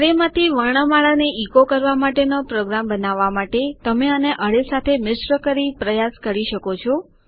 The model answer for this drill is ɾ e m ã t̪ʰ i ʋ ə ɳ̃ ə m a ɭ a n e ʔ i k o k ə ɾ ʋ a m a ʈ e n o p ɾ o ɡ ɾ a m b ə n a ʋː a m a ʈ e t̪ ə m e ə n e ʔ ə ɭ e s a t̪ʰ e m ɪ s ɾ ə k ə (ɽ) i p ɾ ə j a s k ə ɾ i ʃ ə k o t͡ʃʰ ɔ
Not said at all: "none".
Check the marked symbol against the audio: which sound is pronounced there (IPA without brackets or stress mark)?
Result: ɾ